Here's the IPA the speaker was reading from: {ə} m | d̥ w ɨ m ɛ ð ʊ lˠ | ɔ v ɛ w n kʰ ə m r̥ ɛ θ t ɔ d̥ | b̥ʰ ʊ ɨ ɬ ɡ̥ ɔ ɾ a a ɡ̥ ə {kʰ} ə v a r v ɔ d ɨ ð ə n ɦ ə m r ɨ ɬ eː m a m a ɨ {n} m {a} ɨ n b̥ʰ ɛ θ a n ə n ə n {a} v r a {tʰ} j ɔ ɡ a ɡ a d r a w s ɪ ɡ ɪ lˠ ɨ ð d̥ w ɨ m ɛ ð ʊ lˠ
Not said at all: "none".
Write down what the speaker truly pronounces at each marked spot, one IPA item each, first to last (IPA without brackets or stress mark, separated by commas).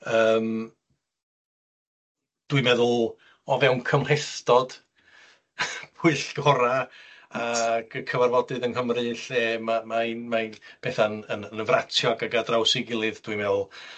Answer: əː, kʰ, n, a, ə, tʰ